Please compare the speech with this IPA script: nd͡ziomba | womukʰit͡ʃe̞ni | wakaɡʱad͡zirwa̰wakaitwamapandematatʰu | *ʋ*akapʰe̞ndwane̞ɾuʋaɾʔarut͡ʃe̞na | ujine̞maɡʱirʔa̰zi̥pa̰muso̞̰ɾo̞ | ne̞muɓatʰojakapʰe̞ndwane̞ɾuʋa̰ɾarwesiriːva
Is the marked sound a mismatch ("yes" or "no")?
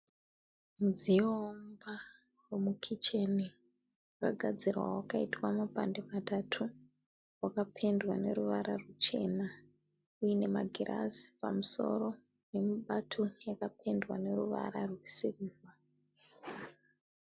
yes